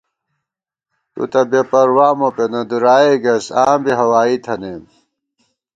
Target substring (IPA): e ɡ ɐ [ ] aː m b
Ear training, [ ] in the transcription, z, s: s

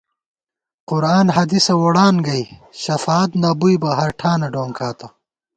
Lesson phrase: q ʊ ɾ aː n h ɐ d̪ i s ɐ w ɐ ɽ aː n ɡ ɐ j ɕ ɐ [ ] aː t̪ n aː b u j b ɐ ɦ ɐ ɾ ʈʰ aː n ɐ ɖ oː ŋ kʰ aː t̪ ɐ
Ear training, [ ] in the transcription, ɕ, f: f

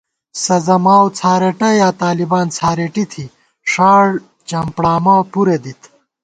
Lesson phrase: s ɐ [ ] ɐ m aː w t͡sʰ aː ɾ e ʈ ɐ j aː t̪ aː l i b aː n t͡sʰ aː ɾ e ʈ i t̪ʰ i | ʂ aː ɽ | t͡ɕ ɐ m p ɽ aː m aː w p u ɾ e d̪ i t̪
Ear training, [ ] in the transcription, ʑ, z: z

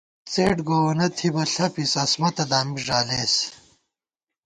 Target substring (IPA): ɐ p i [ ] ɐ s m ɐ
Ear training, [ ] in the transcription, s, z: s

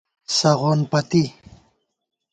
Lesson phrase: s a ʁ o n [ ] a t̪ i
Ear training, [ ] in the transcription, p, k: p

